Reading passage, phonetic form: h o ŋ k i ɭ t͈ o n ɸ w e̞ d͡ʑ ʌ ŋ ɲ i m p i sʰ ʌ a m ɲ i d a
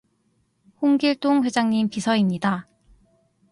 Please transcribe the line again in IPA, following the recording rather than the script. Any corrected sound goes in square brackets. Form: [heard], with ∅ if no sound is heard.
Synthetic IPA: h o ŋ [ɡ] i ɭ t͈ o [ŋ] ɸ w e̞ d͡ʑ [a] ŋ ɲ i m p i sʰ ʌ [i] m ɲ i d a